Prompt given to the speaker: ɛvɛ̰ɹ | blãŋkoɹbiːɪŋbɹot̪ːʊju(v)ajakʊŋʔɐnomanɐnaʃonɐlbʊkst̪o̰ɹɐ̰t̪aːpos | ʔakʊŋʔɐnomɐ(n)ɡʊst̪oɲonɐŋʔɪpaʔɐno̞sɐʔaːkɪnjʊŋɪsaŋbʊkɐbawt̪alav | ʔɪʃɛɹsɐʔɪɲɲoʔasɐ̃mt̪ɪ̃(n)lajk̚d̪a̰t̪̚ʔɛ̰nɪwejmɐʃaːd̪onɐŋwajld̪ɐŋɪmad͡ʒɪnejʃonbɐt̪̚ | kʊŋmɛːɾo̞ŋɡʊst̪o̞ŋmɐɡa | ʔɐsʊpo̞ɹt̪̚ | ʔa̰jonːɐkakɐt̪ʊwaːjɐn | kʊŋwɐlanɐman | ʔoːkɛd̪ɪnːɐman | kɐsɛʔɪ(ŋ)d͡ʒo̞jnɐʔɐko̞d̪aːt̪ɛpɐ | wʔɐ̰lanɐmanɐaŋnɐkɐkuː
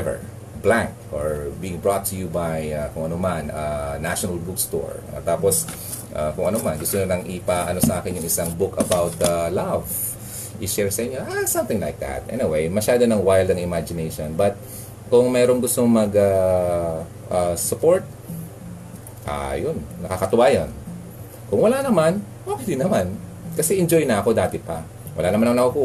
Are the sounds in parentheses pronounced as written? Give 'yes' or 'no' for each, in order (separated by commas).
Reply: no, yes, no, no